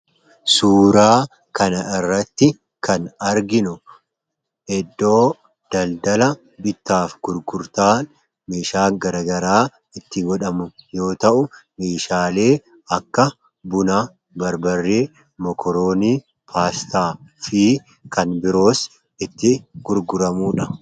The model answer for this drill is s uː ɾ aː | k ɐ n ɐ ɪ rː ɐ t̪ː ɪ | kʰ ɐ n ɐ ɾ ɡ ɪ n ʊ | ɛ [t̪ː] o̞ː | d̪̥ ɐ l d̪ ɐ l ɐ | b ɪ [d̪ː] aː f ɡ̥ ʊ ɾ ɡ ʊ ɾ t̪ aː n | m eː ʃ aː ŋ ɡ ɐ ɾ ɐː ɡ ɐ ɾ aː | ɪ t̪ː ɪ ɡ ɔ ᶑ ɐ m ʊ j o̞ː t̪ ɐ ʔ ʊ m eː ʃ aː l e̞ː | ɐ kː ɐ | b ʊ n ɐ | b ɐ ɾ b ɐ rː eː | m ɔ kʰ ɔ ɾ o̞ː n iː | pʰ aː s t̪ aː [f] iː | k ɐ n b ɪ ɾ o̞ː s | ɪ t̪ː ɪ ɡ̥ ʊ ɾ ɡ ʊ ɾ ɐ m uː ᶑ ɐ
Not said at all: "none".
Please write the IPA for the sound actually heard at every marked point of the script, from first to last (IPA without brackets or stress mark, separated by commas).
d̪ː, t̪ː, f